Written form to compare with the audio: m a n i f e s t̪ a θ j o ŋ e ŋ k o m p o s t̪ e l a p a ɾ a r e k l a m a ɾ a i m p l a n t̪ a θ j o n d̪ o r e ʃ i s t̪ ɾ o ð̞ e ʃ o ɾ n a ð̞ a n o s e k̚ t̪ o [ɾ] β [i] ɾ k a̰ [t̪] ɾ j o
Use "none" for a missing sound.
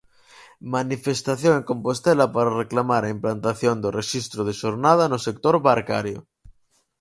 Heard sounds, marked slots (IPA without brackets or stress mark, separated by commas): ɾ, a, none